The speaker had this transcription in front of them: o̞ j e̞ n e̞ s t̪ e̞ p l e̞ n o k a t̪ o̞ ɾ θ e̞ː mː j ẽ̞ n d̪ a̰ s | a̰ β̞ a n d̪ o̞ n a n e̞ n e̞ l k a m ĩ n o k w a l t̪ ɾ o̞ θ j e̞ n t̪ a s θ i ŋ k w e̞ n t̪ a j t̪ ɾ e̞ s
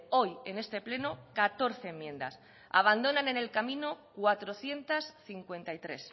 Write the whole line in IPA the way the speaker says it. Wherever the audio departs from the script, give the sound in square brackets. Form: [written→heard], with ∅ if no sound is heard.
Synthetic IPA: o̞ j e̞ n e̞ s t̪ e̞ p l e̞ n o k a t̪ o̞ ɾ θ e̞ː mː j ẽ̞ n d̪ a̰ s | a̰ β̞ a n d̪ o̞ n a n e̞ n e̞ l k a m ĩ n o k w a [l→∅] t̪ ɾ o̞ θ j e̞ n t̪ a s θ i ŋ k w e̞ n t̪ a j t̪ ɾ e̞ s